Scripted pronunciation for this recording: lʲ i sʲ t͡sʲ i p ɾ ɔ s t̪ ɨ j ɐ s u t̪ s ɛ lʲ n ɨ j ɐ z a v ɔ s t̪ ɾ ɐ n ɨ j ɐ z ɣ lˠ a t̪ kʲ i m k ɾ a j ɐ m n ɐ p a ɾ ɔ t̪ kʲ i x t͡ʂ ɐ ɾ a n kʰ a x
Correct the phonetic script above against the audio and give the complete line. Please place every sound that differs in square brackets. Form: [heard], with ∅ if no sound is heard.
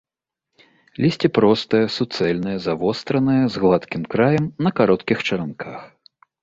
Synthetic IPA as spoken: lʲ i sʲ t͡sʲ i p ɾ ɔ s t̪ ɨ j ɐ s u t̪ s ɛ lʲ n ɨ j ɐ z a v ɔ s t̪ ɾ ɐ n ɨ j ɐ z ɣ lˠ a t̪ kʲ i m k ɾ a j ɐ m n ɐ [k] a ɾ ɔ t̪ kʲ i x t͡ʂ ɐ ɾ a n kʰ a x